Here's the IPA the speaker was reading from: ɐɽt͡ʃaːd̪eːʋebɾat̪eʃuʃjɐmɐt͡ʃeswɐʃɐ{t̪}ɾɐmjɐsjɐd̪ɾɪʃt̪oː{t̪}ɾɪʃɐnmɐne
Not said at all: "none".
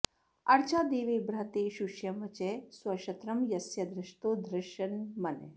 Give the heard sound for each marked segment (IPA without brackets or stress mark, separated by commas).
t̪, d̪